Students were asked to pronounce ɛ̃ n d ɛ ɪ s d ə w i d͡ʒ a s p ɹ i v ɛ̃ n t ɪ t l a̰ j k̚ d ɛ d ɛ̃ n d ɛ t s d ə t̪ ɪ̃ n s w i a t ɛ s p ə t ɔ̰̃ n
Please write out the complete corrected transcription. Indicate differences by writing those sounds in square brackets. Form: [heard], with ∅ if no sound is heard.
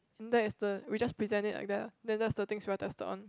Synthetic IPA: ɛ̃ n d ɛ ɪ s d ə w i d͡ʒ a s p ɹ i [z] ɛ̃ n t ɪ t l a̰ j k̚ d ɛ d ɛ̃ n d ɛ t s d ə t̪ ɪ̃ [ŋ] s w i a t ɛ s [t] ə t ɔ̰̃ n